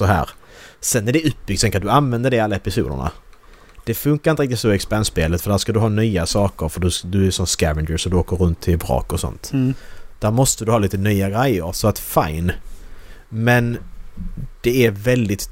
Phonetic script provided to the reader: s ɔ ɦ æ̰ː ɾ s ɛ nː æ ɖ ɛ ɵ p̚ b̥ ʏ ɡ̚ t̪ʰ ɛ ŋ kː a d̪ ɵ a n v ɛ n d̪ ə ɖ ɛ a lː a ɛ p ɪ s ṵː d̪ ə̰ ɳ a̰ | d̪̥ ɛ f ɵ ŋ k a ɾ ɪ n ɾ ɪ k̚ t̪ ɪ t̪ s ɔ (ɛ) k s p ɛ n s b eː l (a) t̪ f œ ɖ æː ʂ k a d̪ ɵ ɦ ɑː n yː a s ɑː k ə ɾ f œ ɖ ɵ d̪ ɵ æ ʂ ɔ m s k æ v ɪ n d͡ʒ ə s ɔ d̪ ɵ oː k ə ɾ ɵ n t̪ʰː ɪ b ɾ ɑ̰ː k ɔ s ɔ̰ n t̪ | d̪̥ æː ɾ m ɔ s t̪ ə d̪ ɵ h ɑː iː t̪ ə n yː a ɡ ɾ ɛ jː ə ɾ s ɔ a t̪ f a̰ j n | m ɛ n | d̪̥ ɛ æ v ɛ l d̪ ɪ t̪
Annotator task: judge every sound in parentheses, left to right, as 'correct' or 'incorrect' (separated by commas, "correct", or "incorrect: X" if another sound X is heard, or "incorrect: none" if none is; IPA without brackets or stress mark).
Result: correct, incorrect: ə